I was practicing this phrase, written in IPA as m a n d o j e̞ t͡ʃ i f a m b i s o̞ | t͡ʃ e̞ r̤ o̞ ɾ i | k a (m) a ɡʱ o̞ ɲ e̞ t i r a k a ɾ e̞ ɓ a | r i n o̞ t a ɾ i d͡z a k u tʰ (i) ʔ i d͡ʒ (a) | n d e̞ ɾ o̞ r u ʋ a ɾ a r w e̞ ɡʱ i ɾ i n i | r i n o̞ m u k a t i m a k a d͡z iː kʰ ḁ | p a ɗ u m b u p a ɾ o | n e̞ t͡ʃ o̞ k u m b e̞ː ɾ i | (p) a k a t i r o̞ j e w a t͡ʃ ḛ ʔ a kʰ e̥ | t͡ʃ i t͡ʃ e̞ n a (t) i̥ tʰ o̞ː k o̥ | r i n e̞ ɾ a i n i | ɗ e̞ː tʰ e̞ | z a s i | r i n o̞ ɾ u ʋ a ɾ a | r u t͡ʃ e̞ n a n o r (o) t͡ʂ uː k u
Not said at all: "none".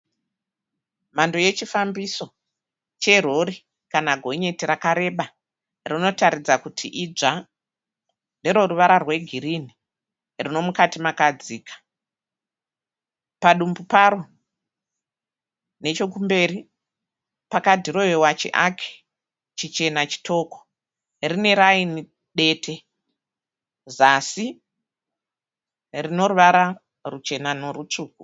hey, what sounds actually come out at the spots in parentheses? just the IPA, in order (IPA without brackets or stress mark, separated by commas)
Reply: n, i, a, p, t͡ʃ, u